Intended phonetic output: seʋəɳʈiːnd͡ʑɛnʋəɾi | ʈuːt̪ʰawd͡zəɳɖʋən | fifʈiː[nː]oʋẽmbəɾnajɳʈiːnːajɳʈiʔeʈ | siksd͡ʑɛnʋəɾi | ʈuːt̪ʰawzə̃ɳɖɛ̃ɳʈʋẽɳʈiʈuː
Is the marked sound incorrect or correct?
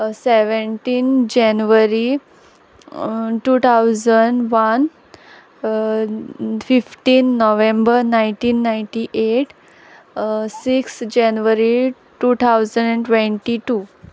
correct